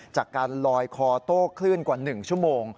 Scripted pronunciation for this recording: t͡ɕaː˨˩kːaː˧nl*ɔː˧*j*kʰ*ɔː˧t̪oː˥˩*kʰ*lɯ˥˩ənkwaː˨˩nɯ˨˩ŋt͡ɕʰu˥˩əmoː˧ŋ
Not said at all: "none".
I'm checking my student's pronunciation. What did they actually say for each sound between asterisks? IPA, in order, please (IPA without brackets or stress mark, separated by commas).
ɔː˧, kʰ, kʰ